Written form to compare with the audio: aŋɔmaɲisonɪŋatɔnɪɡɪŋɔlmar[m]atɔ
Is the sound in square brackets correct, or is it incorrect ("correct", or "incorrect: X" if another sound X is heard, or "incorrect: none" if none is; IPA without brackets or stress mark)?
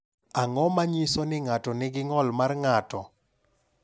incorrect: ŋ